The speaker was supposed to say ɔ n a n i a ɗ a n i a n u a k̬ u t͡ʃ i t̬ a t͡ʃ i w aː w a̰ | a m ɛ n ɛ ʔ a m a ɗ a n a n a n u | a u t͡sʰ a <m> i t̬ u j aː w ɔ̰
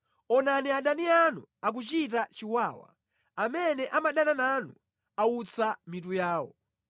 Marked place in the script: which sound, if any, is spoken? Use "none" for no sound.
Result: m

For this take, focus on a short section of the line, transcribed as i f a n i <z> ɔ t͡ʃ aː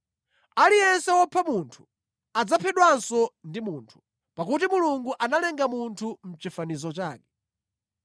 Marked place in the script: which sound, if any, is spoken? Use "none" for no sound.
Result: z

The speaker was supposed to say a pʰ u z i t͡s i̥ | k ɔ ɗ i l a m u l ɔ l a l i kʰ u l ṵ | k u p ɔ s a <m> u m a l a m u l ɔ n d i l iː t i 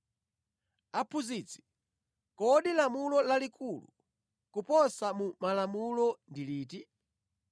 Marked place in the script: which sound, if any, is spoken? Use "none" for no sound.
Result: m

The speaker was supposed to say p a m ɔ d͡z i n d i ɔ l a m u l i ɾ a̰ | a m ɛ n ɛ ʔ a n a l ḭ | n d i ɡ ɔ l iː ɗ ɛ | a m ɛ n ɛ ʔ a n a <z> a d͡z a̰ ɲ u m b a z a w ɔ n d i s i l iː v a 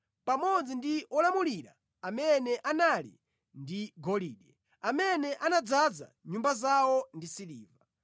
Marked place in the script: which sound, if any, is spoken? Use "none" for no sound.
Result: d͡z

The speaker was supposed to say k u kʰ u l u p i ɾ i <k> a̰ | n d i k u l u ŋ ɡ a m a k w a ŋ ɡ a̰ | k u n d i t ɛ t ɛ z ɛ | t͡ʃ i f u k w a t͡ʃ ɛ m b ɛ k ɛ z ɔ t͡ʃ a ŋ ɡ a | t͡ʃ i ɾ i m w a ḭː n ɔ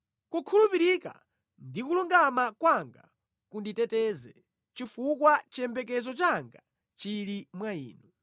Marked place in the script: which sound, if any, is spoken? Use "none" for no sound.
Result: k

